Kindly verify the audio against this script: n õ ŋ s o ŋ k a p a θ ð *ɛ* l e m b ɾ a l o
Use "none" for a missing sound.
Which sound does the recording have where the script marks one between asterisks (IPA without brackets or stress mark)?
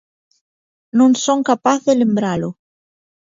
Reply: e